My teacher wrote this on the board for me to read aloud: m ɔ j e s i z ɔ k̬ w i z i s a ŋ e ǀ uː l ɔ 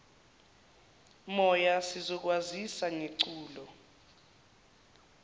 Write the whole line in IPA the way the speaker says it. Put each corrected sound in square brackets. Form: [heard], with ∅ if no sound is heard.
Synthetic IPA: m ɔ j [a] s i z ɔ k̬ w [a] z i s a ŋ e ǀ uː l ɔ